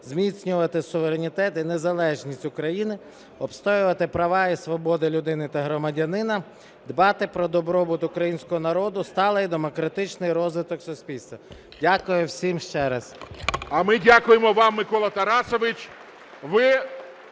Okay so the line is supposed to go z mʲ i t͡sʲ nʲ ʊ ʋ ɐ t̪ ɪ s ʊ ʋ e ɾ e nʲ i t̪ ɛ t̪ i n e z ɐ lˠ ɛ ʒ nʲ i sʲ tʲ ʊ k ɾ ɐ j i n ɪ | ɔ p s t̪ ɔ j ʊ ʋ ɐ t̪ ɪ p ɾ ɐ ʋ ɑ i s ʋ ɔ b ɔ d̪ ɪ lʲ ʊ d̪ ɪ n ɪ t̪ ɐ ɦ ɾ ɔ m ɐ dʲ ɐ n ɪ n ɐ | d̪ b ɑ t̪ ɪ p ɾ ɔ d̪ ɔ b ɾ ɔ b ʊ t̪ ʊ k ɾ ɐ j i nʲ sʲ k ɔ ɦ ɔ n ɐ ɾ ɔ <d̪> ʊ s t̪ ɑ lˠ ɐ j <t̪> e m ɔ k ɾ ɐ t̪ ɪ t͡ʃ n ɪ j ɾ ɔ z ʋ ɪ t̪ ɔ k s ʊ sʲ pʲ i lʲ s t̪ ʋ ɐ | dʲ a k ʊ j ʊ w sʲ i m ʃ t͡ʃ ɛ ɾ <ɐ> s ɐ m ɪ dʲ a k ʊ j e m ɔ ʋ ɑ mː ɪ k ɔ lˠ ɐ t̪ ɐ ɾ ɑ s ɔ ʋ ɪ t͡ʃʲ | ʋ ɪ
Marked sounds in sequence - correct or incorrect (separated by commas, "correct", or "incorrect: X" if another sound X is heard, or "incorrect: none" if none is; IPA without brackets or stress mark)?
correct, incorrect: d̪, correct